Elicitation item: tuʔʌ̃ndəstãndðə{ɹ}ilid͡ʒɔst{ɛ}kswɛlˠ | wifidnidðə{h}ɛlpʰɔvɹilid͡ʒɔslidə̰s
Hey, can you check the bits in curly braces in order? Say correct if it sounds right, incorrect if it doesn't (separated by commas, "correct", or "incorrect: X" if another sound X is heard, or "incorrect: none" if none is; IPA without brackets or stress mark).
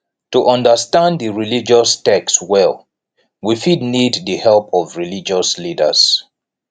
correct, correct, correct